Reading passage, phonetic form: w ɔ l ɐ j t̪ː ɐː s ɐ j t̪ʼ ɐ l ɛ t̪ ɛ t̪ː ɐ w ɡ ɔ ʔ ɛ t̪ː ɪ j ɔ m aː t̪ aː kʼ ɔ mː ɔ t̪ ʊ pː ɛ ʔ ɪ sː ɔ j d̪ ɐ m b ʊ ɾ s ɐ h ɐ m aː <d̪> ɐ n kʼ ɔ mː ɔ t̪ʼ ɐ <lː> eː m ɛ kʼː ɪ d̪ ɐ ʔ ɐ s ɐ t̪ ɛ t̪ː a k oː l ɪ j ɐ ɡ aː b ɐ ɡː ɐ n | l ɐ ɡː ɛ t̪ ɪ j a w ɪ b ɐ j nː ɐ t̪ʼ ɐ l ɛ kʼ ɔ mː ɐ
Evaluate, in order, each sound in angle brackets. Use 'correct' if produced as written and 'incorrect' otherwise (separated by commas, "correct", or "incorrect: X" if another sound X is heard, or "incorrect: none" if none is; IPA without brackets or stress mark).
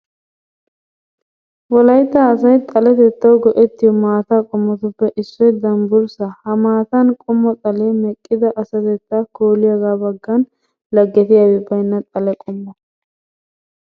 incorrect: t̪, incorrect: l